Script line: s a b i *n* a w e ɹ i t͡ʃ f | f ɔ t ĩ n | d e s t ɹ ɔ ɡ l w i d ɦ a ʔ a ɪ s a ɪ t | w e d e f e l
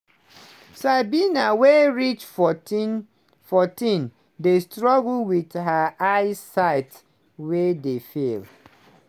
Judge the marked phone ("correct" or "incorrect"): correct